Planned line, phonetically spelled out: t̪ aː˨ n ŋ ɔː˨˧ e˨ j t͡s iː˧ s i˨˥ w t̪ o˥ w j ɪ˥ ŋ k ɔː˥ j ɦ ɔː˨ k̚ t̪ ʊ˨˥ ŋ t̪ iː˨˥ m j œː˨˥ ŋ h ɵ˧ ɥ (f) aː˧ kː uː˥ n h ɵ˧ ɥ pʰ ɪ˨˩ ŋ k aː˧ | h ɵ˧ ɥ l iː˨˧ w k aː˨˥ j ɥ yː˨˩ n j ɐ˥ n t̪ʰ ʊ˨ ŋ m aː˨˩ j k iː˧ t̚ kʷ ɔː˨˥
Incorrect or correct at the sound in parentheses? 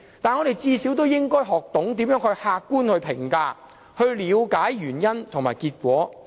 incorrect: h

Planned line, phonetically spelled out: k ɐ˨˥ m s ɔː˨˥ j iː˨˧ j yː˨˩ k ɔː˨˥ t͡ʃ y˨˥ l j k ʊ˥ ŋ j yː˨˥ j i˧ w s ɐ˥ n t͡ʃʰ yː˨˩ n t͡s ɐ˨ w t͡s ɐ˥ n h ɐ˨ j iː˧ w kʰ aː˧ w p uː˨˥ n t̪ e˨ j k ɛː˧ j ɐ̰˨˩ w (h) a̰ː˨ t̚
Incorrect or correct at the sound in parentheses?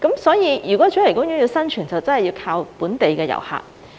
correct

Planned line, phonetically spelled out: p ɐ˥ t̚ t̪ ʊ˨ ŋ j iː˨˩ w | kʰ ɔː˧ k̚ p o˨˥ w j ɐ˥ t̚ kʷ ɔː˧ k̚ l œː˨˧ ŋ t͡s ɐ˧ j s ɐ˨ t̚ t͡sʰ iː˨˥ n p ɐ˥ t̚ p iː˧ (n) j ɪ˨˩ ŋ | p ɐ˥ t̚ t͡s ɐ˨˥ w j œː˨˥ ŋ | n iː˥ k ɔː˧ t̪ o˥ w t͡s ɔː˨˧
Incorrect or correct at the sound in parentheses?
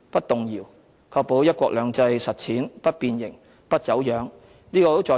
correct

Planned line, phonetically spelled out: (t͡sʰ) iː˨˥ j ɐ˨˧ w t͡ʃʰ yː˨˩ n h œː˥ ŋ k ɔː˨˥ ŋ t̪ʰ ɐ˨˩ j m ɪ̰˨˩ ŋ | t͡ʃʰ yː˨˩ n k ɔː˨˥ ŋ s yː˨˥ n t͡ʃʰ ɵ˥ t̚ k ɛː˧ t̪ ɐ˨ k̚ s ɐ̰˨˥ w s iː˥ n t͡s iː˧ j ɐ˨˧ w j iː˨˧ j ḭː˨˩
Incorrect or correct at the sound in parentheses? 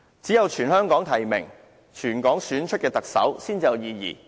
incorrect: t͡s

